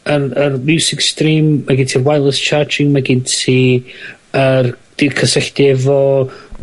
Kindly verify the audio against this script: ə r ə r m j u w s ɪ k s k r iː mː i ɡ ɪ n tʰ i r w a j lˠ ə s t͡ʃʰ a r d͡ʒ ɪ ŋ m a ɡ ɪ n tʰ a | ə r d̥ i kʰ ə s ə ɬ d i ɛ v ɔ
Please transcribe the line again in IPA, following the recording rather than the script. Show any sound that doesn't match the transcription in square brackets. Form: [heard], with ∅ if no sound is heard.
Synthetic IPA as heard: ə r ə r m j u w s ɪ k s [t] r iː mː [a] ɡ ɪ n tʰ i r w a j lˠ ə s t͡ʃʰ a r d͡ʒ ɪ ŋ m a ɡ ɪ n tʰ [i] | ə r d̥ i kʰ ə s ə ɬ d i ɛ v ɔ